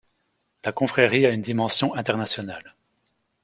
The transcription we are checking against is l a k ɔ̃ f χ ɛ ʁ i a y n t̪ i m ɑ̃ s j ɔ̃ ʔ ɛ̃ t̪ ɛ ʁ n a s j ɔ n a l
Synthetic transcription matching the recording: l a k ɔ̃ f χ ɛ ʁ i a y n d̪ i m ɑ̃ s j ɔ̃ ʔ ɛ̃ t̪ ɛ ʁ n a s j ɔ n a l